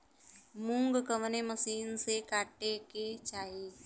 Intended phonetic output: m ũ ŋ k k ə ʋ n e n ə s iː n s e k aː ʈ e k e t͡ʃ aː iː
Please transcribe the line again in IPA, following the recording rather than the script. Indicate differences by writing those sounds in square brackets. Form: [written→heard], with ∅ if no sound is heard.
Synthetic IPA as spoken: m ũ ŋ [k→ɡ] k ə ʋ n e [n→m] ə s iː n s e k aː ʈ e k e t͡ʃ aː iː